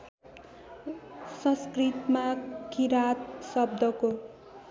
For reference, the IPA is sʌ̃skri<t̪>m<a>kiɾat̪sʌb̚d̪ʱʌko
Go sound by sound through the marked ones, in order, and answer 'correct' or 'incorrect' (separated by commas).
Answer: correct, correct